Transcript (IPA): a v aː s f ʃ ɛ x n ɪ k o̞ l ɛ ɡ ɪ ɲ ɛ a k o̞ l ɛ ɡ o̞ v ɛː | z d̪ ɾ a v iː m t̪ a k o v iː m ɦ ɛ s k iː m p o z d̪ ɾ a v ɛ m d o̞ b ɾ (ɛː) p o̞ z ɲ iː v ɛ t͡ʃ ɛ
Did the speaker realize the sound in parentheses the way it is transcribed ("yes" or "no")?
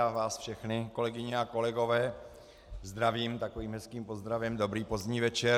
no